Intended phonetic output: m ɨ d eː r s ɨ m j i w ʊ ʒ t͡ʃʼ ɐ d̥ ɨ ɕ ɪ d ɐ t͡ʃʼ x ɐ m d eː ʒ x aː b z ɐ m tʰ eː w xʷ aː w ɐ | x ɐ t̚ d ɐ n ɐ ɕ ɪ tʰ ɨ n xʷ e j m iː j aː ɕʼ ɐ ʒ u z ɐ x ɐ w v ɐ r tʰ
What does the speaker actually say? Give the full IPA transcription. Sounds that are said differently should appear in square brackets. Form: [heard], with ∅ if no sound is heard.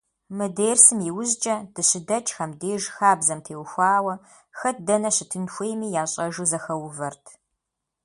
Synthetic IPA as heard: m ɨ d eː r s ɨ m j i w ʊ [z] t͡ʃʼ ɐ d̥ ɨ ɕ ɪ d ɐ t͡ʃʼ x ɐ m d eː ʒ x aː b z ɐ m tʰ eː w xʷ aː w ɐ | x ɐ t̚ d ɐ n ɐ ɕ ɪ tʰ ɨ n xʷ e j m iː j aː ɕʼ ɐ ʒ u z ɐ x ɐ w v ɐ r tʰ